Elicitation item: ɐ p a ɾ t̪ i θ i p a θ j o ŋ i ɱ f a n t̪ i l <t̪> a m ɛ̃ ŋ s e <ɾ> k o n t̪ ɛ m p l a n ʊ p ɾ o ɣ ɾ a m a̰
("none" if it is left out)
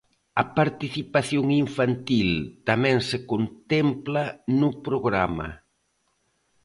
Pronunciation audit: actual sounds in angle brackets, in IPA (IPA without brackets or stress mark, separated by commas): t̪, none